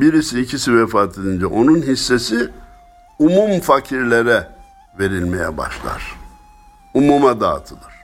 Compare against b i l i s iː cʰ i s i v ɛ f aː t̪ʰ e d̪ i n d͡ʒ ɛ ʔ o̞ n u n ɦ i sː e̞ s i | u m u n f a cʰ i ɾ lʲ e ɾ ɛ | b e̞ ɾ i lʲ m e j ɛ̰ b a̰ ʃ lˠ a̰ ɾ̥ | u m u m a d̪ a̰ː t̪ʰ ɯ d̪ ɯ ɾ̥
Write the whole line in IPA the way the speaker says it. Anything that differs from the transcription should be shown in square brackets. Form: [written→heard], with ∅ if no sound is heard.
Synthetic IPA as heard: b i [l→ɾ] i s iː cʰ i s i v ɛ f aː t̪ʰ e d̪ i n d͡ʒ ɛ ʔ o̞ n u n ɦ i sː e̞ s i | u m u [n→m] f a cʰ i ɾ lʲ e ɾ ɛ | [b→v] e̞ ɾ i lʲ m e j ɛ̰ b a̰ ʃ lˠ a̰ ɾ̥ | u m u m a d̪ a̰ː t̪ʰ ɯ d̪ ɯ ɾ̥